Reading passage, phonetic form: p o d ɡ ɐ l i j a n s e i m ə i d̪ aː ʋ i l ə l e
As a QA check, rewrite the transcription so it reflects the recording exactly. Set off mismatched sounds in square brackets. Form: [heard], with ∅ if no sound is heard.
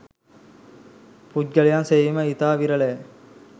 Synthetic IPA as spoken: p [u] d ɡ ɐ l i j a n s e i m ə i [t̪] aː ʋ i [ɾ] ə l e